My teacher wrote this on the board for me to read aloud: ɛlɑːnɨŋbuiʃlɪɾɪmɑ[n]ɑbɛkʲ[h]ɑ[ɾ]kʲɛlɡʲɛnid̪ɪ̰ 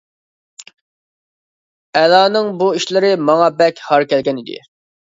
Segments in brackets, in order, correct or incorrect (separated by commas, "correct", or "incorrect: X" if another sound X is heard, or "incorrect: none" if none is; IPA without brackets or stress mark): incorrect: ŋ, correct, correct